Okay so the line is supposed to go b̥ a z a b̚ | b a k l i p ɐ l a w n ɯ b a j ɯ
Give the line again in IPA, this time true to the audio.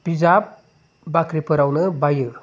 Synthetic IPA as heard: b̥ i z a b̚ | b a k ɾ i p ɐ ɾ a w n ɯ b a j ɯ